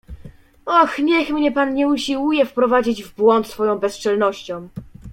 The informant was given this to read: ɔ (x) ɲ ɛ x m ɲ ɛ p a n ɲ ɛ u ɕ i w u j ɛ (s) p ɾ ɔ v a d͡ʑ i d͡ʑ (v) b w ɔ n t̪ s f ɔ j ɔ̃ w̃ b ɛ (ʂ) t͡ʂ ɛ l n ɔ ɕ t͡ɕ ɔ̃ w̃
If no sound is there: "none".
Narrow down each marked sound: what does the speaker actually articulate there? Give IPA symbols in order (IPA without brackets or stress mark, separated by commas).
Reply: x, f, v, s